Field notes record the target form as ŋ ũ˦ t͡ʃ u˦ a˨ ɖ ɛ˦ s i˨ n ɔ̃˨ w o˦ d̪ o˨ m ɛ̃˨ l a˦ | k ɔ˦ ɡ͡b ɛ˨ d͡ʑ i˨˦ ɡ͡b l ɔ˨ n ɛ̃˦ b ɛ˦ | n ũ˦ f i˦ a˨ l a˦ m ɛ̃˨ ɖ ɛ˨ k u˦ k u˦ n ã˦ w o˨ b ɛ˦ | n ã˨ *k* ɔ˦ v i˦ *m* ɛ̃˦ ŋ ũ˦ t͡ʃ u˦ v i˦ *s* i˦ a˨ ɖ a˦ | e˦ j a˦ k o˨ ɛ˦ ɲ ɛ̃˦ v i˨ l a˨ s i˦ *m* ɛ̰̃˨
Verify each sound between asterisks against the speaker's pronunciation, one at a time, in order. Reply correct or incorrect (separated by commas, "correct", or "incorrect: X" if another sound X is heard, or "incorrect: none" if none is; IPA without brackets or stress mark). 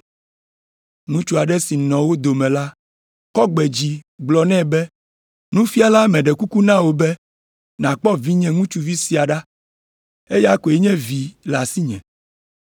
incorrect: k͡p, incorrect: ɲ, correct, incorrect: ɲ